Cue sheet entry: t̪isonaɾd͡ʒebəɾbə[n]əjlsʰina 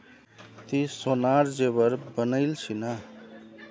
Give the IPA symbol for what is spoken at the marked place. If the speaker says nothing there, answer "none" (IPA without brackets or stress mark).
n